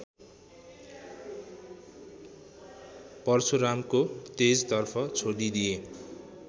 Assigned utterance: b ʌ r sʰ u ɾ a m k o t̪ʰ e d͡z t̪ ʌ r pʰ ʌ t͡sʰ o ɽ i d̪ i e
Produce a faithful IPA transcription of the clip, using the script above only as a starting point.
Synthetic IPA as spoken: p ʌ r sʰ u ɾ a m k o t̪ e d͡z t̪ ʌ r pʰ ʌ t͡sʰ o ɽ i d̪ i e